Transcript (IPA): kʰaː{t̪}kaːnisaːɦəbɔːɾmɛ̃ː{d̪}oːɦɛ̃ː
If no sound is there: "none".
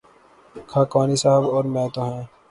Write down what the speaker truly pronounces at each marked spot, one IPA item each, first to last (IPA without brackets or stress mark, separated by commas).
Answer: none, t̪